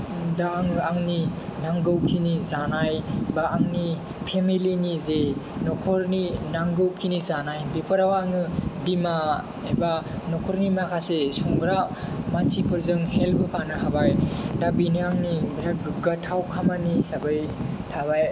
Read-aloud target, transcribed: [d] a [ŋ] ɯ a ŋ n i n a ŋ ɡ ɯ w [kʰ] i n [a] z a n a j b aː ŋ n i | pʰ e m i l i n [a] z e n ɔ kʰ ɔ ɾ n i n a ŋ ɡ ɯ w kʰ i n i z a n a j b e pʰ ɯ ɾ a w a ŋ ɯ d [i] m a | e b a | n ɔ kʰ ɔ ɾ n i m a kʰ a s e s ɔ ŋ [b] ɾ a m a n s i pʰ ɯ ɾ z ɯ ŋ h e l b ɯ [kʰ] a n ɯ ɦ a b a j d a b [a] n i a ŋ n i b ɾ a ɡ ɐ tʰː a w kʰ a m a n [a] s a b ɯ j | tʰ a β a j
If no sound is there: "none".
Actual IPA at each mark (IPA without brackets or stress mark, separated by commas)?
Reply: d, ŋ, kʰ, i, i, i, ɡ, pʰ, i, i